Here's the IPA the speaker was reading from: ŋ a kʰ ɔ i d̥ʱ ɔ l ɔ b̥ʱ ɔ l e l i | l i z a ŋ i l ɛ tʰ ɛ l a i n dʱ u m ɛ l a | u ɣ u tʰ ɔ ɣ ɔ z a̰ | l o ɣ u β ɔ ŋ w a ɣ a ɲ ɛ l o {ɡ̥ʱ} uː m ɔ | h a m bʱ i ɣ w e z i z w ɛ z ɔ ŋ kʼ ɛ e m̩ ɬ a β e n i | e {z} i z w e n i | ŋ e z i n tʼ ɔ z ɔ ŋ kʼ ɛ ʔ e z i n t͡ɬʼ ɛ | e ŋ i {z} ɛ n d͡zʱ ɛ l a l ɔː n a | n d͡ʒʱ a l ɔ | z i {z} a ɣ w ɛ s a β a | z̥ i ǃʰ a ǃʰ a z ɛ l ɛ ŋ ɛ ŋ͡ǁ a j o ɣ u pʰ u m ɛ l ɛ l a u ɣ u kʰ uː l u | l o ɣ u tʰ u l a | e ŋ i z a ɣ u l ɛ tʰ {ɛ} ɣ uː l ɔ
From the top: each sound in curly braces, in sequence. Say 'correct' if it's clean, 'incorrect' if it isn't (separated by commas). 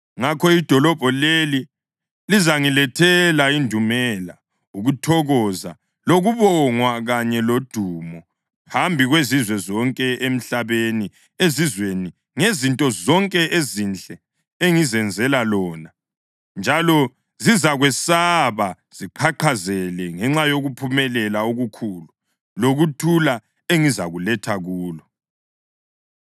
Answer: incorrect, correct, correct, correct, incorrect